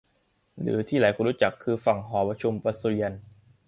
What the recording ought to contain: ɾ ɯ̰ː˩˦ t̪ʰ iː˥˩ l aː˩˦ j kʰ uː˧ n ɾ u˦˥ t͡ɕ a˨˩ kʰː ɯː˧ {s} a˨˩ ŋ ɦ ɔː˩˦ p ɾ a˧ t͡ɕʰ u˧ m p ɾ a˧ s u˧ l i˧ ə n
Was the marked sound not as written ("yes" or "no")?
yes